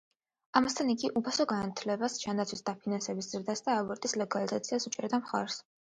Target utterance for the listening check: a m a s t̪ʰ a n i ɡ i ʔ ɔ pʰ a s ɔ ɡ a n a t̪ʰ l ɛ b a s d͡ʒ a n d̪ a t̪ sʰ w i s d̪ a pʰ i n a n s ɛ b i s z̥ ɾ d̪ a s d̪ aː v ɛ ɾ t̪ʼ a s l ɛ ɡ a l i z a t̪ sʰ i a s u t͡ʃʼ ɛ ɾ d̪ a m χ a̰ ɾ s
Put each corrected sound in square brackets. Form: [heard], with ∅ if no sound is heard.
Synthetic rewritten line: a m a s t̪ʰ a n i ɡ i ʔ [u] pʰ a s ɔ ɡ a n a t̪ʰ l ɛ b a s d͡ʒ a n d̪ a t̪ sʰ w i s d̪ a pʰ i n a n s ɛ b i s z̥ ɾ d̪ a s d̪ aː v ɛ ɾ t̪ʼ [i] s l ɛ ɡ a l i z a t̪ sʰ i a s u t͡ʃʼ ɛ ɾ d̪ a m χ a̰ ɾ s